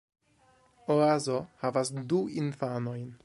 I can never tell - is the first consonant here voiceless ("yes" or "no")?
no